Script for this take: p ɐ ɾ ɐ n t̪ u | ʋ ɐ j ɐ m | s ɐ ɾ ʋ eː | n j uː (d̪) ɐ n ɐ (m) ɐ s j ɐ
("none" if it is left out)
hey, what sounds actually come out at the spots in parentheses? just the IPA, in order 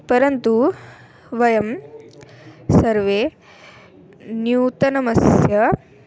t̪, m

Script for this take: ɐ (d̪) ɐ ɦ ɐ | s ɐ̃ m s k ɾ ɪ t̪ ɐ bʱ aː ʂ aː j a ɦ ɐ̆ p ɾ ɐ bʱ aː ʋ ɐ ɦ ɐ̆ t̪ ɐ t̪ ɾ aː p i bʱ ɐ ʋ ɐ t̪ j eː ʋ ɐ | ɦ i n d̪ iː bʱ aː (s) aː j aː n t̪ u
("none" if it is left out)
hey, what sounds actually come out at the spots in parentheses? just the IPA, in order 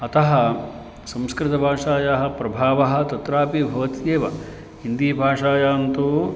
t̪, ʂ

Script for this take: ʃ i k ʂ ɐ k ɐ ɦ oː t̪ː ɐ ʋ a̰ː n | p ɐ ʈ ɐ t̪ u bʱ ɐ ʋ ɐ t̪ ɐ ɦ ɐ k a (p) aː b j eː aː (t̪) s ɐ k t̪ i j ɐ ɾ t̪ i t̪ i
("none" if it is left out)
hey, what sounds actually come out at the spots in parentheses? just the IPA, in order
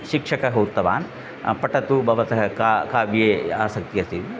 k, none

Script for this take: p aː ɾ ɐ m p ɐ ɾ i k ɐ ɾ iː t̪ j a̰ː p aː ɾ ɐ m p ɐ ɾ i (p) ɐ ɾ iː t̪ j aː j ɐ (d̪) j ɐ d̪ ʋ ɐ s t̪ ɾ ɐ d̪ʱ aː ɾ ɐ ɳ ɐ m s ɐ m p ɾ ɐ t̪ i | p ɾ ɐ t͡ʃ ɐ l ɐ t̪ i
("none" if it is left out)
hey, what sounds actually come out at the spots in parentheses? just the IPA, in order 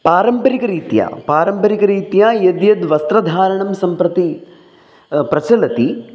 k, d̪

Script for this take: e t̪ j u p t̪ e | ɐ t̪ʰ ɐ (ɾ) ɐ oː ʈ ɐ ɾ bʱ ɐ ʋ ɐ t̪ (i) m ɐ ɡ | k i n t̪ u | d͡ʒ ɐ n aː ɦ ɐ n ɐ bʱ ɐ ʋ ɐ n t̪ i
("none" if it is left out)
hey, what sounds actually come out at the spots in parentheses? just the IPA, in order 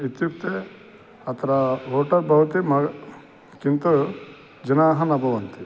ɾ, i

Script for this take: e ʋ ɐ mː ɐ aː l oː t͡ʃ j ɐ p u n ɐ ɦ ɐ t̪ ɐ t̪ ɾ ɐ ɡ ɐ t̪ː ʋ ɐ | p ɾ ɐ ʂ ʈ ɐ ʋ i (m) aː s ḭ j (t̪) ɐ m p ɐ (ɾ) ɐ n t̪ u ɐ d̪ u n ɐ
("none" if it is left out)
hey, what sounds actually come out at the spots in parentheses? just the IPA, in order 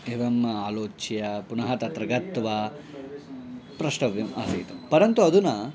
m, t̪, ɾ

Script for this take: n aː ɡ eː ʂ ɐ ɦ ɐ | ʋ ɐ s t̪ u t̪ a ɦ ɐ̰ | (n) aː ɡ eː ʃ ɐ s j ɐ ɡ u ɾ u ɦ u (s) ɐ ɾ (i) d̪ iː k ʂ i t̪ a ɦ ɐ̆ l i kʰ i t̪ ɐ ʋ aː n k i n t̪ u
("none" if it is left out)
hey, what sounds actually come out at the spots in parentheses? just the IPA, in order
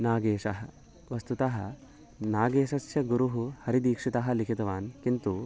n, h, i

